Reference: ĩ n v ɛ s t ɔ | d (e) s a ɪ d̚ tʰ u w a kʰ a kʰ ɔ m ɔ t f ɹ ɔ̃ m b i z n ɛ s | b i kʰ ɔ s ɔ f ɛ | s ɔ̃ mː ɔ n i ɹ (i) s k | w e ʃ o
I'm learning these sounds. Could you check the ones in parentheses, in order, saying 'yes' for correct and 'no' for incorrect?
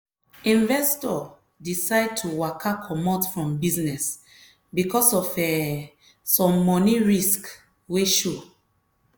no, yes

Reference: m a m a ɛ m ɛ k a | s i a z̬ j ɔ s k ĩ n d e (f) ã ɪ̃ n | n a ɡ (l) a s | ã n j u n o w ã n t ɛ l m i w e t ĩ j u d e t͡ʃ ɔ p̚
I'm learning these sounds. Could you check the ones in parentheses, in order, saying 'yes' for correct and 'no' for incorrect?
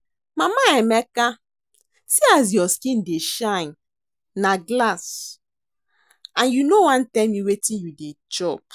no, yes

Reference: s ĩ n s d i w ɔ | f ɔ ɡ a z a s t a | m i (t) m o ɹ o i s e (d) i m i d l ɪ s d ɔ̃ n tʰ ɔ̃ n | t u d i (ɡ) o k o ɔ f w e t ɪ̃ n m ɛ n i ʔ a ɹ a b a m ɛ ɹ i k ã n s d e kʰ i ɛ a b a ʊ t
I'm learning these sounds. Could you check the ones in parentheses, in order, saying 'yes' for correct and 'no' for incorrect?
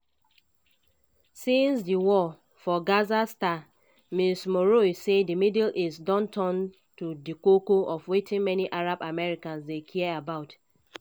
no, yes, no

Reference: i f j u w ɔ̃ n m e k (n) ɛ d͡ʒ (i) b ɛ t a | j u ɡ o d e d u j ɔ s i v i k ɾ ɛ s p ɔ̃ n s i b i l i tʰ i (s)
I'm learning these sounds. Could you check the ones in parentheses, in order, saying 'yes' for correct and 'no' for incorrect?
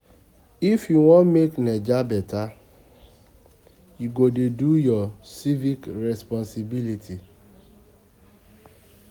yes, no, no

